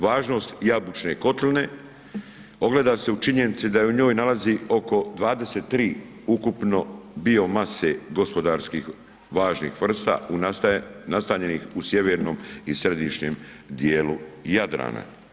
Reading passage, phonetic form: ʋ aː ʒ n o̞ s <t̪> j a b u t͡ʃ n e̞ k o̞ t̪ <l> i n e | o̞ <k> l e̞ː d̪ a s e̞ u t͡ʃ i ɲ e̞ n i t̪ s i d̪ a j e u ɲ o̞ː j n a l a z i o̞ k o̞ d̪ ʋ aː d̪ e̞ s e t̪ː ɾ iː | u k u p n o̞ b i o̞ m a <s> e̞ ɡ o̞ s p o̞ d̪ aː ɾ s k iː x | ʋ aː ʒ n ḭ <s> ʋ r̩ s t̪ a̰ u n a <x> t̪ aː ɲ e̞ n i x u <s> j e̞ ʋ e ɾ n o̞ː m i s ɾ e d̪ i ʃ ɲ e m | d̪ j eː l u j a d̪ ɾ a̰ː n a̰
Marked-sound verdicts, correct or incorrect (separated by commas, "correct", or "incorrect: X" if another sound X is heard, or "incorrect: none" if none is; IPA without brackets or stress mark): correct, correct, incorrect: ɡ, correct, incorrect: x, incorrect: s, correct